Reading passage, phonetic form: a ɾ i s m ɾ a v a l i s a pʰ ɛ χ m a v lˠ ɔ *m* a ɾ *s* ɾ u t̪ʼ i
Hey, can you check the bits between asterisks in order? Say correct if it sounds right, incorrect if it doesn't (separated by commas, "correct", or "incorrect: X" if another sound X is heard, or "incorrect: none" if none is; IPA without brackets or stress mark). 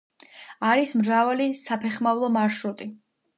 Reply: correct, incorrect: ʃ